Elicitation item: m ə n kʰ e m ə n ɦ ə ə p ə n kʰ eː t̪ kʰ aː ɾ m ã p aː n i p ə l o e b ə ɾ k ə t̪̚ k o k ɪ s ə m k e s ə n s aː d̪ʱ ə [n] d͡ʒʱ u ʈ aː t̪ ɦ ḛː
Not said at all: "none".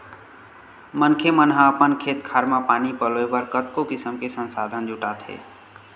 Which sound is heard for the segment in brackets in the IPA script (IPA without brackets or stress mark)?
n